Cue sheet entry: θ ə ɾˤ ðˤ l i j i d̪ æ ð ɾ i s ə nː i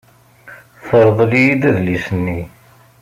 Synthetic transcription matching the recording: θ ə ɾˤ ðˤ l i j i d̪ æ ð l i s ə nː i